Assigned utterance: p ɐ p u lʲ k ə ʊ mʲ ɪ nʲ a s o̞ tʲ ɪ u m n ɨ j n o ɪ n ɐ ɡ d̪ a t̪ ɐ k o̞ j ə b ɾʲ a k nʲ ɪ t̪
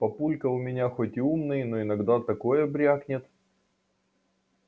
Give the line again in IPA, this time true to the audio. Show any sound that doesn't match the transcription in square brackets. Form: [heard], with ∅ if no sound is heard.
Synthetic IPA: p ɐ p u lʲ k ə ʊ mʲ ɪ nʲ a [x] o̞ tʲ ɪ u m n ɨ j n o ɪ n ɐ ɡ d̪ a t̪ ɐ k o̞ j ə b ɾʲ a k nʲ ɪ t̪